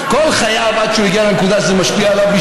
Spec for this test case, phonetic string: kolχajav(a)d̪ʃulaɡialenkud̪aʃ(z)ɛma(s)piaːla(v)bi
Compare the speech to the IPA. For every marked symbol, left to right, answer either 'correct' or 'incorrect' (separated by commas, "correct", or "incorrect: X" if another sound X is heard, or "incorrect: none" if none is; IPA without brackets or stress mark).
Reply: correct, correct, incorrect: ʃ, correct